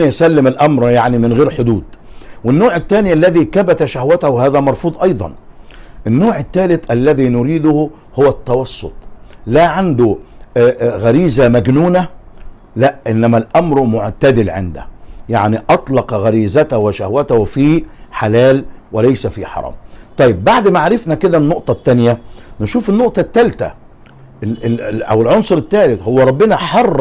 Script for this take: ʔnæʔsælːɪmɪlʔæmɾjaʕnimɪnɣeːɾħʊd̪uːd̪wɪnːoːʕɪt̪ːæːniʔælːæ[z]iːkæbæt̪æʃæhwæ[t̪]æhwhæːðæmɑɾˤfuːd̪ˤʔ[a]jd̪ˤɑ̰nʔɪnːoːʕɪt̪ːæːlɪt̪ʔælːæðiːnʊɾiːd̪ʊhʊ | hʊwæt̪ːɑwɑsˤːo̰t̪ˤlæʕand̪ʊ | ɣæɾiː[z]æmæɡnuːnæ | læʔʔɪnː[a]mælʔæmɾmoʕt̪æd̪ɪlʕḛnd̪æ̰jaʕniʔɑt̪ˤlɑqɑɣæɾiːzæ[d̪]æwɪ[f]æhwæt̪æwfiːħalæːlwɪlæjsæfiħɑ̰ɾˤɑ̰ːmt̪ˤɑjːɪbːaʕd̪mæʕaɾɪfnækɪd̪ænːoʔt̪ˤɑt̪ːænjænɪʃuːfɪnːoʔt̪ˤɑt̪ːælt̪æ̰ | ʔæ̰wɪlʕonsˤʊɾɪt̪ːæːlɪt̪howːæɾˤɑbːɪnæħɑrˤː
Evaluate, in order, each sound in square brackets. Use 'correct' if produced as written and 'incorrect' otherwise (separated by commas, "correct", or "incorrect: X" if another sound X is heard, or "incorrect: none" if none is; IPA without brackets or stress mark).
incorrect: ð, correct, incorrect: ɑ, correct, incorrect: æ, incorrect: t̪, incorrect: ʃ